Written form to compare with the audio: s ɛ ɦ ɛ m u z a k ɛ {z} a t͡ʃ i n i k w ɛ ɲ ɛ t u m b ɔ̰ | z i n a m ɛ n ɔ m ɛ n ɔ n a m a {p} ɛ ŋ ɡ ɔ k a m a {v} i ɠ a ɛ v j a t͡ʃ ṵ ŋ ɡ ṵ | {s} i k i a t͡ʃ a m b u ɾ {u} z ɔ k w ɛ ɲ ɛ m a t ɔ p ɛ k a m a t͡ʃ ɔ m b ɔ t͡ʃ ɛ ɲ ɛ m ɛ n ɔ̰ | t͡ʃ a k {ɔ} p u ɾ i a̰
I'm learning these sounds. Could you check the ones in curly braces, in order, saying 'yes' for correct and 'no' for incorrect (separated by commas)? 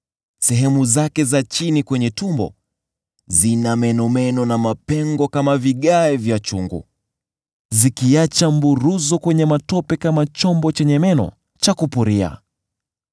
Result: yes, yes, yes, no, yes, no